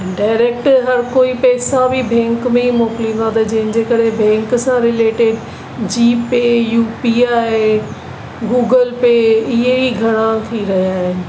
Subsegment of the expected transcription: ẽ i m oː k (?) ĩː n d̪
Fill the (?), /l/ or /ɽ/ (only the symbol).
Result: l